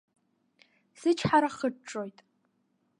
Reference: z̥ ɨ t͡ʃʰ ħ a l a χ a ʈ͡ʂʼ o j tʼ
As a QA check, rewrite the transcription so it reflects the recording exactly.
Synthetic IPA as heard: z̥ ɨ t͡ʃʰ ħ a ɾ a χ ə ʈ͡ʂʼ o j tʼ